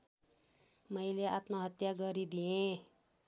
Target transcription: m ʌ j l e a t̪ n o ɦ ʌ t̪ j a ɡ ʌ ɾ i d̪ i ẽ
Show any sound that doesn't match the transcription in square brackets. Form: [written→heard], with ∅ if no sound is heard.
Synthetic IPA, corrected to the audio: m ʌ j l e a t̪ n o ɦ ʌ t̪ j a ɡ ʌ ɾ i d̪ i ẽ

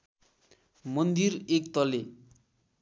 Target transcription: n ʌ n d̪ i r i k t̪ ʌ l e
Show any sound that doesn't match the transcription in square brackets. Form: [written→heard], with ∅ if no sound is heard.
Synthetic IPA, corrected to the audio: [n→m] ʌ n d̪ i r [i→e] k t̪ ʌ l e

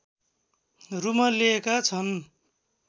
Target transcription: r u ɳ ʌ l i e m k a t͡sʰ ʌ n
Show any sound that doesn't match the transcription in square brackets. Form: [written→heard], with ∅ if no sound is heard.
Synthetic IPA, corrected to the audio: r u [ɳ→m] ʌ l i e [m→∅] k a t͡sʰ ʌ n

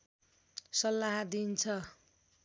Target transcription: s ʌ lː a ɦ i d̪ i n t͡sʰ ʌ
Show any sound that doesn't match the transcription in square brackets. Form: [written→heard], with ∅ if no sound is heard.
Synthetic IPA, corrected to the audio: s ʌ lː a ɦ [i→a] d̪ i n t͡sʰ ʌ

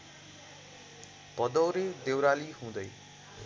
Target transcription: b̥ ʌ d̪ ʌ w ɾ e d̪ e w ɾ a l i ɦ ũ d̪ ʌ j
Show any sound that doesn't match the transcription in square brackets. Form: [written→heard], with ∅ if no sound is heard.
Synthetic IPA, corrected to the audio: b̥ ʌ d̪ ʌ w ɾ e d̪ e w ɾ a l i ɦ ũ d̪ ʌ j

